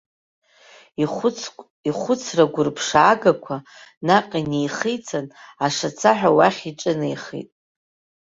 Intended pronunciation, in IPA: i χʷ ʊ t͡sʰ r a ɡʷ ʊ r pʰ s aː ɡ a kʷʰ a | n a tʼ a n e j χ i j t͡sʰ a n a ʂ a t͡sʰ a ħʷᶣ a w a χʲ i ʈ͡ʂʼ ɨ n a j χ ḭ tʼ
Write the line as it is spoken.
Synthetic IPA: i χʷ ʊ t͡sʰ r a ɡʷ ʊ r pʰ ʂ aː ɡ a kʷʰ a | n a qʼ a n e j χ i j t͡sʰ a n a ʂ a t͡sʰ a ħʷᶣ a w a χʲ i ʈ͡ʂʼ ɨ n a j χ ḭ tʼ